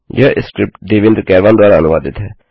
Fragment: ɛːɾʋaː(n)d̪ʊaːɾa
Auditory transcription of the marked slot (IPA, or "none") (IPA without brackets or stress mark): n